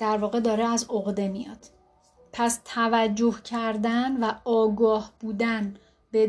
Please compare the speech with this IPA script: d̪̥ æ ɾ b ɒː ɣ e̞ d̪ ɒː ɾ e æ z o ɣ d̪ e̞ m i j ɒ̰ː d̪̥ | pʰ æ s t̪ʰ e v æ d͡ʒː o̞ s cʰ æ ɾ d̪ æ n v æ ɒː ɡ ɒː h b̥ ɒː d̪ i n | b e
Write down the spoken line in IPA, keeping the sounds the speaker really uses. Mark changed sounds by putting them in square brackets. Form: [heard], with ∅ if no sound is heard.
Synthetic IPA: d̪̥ æ ɾ [v] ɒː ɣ e̞ d̪ ɒː ɾ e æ z o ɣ d̪ e̞ m i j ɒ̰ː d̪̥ | pʰ æ s t̪ʰ [æ] v æ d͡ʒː o̞ [h] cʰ æ ɾ d̪ æ n v æ ɒː ɡ ɒː h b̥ [uː] d̪ [æ] n | b e